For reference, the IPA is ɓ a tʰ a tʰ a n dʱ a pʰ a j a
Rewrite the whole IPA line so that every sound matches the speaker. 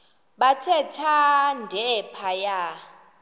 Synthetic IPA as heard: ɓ a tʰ ɛ tʰ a n dʱ ɛ pʰ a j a